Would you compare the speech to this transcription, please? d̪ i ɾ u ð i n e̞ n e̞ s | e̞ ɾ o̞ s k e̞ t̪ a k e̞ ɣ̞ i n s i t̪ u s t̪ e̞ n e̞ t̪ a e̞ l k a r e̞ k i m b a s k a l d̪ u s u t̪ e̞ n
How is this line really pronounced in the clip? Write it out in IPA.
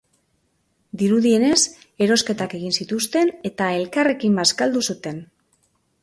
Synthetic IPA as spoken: d̪ i ɾ u ð i e̞ n e̞ s | e̞ ɾ o̞ s k e̞ t̪ a k e̞ ɣ̞ i n s i t̪ u s t̪ e̞ n e̞ t̪ a e̞ l k a r e̞ k i m b a s k a l d̪ u s u t̪ e̞ n

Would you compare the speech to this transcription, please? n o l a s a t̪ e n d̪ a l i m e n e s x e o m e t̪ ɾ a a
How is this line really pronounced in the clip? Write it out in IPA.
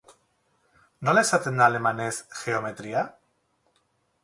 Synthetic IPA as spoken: n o l e s a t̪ e n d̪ a l e m a n e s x e o m e t̪ ɾ i a

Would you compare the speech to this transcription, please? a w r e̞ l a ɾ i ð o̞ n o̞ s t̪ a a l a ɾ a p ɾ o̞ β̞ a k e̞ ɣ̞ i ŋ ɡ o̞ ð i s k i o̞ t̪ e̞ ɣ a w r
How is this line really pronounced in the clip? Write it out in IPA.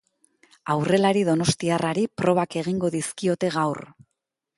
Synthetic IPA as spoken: a w r e̞ l a ɾ i ð o̞ n o̞ s t̪ i a r a ɾ i p ɾ o̞ β̞ a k e̞ ɣ̞ i ŋ ɡ o̞ ð i s k i o̞ t̪ e̞ ɣ a w r

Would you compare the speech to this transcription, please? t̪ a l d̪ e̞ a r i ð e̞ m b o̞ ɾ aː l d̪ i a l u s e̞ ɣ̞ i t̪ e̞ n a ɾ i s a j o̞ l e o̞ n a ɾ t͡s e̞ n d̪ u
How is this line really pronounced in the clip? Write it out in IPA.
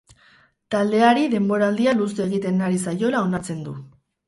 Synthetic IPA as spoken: t̪ a l d̪ e̞ a ɾ i ð e̞ m b o̞ ɾ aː l d̪ i a l u s e̞ ɣ̞ i t̪ e̞ n a ɾ i s a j o̞ l a o̞ n a ɾ t͡s e̞ n d̪ u

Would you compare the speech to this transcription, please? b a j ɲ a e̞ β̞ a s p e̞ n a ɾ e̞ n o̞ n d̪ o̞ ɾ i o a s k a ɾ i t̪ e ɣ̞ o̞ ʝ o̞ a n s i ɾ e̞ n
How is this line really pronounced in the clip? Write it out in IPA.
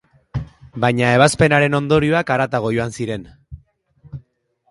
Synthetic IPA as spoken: b a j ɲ a e̞ β̞ a s p e̞ n a ɾ e̞ n o̞ n d̪ o̞ ɾ i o a k a ɾ a t̪ a ɣ̞ o̞ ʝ o̞ a n s i ɾ e̞ n

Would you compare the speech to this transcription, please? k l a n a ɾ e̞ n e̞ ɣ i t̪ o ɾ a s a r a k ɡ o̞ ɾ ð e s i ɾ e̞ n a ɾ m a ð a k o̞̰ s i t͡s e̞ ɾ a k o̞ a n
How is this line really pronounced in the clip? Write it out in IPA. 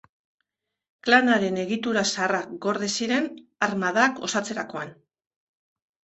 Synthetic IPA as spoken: k l a n a ɾ e̞ n e̞ ɣ i t̪ u ɾ a s a r a k ɡ o̞ ɾ ð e s i ɾ e̞ n a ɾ m a ð a k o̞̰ s a t͡s e̞ ɾ a k o̞ a n

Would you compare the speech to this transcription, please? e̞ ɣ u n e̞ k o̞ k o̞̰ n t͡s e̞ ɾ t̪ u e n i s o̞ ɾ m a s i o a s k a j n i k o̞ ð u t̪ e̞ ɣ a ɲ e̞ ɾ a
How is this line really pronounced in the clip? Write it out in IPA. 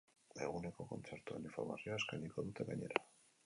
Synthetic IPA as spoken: e̞ ɣ u n e̞ k o̞ k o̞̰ n t͡s e̞ ɾ t̪ u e n i f o̞ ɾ m a s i o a s k a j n i k o̞ ð u t̪ e̞ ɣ a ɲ e̞ ɾ a

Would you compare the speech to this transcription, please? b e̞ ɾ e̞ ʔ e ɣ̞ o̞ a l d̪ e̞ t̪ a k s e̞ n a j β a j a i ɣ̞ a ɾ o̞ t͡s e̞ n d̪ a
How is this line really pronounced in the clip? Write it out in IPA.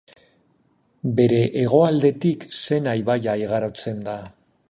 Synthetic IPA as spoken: b e̞ ɾ e̞ ʔ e ɣ̞ o̞ a l d̪ e̞ t̪ i k s e̞ n a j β a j a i ɣ̞ a ɾ o̞ t͡s e̞ n d̪ a

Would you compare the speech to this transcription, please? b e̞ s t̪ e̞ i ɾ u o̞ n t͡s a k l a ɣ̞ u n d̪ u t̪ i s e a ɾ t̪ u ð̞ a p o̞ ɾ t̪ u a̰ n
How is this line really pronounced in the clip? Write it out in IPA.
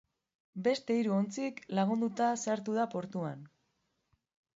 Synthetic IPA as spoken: b e̞ s t̪ e̞ i ɾ u o̞ n t͡s i k l a ɣ̞ u n d̪ u t̪ a s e a ɾ t̪ u ð̞ a p o̞ ɾ t̪ u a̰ n

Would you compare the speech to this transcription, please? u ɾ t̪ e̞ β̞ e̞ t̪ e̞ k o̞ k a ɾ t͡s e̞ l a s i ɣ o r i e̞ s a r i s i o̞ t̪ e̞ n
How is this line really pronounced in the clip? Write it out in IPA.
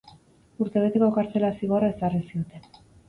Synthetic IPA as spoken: u ɾ t̪ e̞ β̞ e̞ t̪ e̞ k o̞ k a ɾ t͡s e̞ l a s i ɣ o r a e̞ s a r i s i o̞ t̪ e̞ n

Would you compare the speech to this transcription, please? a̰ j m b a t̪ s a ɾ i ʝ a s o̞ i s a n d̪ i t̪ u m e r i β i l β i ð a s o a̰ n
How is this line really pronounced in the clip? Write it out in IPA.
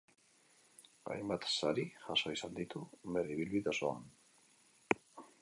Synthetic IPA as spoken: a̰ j m b a t̪ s a ɾ i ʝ a s o̞ i s a n d̪ i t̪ u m e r i β i l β i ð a s o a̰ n

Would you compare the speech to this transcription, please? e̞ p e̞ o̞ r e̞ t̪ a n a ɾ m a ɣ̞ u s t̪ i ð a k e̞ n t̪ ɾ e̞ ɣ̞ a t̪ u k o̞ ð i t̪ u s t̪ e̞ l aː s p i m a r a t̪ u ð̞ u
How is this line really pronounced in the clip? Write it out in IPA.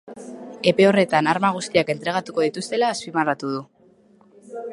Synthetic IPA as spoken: e̞ p e̞ o̞ r e̞ t̪ a n a ɾ m a ɣ̞ u s t̪ i a k e̞ n t̪ ɾ e̞ ɣ̞ a t̪ u k o̞ ð i t̪ u s t̪ e̞ l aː s p i m a r a t̪ u ð̞ u

